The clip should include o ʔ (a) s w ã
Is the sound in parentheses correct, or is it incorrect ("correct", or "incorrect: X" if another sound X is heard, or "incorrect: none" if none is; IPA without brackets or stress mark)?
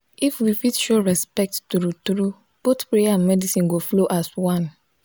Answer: correct